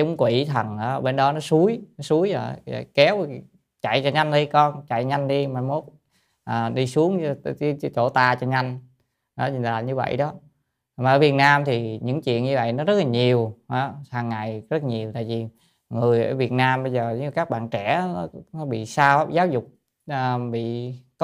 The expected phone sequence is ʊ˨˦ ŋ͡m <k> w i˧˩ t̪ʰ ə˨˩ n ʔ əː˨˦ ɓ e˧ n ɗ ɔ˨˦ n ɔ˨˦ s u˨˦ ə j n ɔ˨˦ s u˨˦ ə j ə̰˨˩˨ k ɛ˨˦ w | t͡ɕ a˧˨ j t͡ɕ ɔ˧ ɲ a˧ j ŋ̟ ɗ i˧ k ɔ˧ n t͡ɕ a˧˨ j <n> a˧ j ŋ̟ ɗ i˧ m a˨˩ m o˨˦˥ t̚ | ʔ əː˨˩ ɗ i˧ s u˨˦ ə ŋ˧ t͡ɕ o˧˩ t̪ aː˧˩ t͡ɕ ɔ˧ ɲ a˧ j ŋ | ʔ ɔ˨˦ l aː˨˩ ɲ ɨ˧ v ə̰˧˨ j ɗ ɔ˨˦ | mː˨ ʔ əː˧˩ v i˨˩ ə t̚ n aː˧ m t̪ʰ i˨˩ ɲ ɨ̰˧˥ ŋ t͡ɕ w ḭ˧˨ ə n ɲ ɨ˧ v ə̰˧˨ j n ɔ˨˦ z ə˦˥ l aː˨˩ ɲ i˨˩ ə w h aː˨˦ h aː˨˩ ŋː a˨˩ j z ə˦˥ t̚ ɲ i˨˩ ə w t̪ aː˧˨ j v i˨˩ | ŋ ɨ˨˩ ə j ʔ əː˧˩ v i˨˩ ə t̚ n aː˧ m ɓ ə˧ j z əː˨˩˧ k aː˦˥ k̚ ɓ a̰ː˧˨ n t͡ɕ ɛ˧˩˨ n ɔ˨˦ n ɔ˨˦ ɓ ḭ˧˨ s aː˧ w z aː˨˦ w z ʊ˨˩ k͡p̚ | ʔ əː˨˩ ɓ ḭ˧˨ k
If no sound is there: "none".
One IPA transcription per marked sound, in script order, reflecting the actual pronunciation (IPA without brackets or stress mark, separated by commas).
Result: k, ɲ